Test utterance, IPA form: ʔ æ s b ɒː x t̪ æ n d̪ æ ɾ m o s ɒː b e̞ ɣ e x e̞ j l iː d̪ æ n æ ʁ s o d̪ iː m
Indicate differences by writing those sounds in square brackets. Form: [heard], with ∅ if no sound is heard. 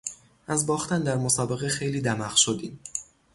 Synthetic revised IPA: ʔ æ [z] b ɒː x t̪ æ n d̪ æ ɾ m o s ɒː b e̞ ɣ e x e̞ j l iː d̪ æ [m] æ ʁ [ʃ] o d̪ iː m